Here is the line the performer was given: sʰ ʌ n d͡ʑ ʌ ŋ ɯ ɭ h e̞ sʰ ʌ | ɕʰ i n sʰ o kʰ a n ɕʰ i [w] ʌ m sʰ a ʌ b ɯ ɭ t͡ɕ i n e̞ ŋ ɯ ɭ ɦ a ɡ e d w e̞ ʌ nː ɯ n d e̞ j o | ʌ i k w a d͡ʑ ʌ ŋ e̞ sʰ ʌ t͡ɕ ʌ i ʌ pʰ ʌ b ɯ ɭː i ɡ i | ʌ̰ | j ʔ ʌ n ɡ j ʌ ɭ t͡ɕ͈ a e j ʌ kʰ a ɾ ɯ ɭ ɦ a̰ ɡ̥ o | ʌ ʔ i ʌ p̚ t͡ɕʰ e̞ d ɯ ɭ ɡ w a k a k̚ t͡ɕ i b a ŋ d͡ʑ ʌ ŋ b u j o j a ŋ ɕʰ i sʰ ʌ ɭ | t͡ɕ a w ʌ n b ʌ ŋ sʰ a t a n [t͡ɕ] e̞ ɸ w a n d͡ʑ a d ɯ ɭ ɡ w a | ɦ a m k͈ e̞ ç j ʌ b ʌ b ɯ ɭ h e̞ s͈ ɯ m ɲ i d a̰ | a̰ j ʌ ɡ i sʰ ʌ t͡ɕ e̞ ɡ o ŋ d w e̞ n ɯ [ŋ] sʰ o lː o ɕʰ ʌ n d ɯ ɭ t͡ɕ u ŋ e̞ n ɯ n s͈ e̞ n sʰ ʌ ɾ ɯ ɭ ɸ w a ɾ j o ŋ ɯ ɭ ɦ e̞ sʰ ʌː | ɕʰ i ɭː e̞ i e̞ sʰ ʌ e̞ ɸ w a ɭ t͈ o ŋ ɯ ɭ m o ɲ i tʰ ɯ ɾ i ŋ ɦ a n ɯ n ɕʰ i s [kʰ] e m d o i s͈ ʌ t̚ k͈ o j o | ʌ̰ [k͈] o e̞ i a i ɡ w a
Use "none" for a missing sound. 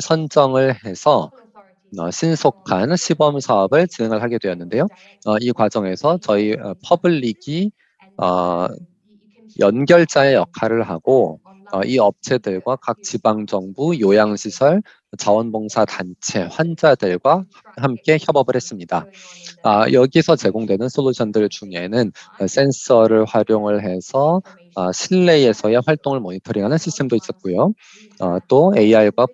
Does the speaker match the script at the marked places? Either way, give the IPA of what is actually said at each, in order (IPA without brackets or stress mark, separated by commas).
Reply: b, t͡ɕʰ, n, tʰ, t͈